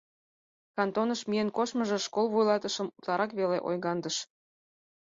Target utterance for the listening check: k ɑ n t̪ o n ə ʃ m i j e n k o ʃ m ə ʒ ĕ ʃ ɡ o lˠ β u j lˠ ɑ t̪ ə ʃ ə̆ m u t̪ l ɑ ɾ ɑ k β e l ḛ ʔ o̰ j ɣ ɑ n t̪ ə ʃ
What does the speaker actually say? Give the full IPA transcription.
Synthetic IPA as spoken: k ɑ n t̪ o n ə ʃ m i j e n k o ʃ m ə ʒ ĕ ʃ k o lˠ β u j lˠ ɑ t̪ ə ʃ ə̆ m u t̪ l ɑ ɾ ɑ k β e l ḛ ʔ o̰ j ɣ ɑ n d̪ ə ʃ